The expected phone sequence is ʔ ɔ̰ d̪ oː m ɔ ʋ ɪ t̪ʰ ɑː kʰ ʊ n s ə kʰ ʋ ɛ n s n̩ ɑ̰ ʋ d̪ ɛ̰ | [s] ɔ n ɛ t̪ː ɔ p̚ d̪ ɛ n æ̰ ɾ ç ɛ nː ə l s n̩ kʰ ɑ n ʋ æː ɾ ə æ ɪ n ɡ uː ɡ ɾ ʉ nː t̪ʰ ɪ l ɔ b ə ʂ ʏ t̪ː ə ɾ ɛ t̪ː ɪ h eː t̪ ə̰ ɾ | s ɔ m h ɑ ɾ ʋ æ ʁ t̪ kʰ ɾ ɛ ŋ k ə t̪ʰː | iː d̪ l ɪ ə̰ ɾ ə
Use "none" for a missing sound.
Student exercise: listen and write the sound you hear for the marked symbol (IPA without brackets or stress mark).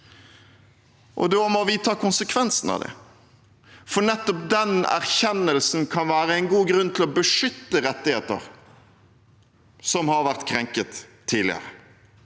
f